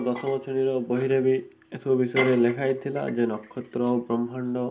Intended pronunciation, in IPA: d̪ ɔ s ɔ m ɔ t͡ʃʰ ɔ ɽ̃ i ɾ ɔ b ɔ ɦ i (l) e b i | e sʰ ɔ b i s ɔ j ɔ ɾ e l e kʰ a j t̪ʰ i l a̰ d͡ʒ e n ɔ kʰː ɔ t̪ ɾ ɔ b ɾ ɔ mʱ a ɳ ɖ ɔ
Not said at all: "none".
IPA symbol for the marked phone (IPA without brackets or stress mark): ɾ